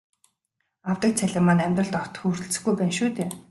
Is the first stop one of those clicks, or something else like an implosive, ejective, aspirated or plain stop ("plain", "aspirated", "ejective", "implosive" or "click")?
plain